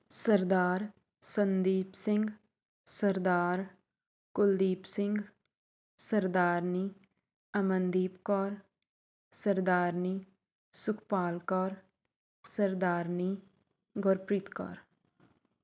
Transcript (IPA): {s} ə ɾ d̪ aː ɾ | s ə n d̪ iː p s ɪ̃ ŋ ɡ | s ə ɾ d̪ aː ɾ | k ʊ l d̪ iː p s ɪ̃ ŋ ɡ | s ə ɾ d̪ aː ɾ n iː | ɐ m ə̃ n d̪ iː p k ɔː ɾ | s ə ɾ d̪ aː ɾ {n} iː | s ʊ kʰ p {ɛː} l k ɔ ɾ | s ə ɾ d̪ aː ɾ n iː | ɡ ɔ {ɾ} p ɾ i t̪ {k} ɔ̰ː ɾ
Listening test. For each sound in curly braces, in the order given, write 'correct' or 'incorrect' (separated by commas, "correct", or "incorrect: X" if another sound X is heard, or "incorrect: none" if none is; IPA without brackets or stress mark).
correct, correct, incorrect: aː, correct, correct